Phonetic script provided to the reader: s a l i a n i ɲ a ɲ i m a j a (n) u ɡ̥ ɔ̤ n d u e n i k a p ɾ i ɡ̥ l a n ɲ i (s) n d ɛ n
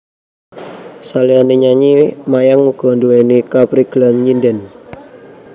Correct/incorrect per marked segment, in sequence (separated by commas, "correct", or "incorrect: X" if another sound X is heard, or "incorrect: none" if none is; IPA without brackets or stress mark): incorrect: ŋ, incorrect: none